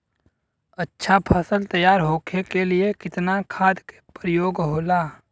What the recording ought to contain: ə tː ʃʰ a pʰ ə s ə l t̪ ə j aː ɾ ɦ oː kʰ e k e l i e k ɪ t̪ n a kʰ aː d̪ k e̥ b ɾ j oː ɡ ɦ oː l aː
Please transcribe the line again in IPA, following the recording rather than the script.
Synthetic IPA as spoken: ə tː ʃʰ a pʰ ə s ə l t̪ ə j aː ɾ ɦ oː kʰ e k e l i e k ɪ t̪ n a kʰ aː d̪ k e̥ p ɾ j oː ɡ ɦ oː l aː